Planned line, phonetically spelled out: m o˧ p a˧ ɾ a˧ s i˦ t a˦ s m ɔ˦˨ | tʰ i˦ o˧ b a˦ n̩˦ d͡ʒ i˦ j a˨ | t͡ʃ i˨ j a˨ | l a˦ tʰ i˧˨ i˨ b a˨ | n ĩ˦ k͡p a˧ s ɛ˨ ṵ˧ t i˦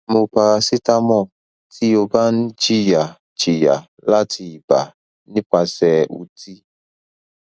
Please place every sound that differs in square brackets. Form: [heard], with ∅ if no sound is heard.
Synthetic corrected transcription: m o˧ p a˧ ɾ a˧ s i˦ t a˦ [∅] m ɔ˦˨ | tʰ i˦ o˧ b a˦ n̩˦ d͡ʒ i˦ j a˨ | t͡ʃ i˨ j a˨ | l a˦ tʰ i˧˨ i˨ b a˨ | n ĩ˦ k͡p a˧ s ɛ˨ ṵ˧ t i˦